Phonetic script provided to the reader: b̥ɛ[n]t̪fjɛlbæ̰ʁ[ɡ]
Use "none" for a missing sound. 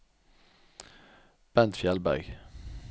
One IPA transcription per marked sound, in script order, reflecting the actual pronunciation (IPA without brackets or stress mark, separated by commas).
n, ɡ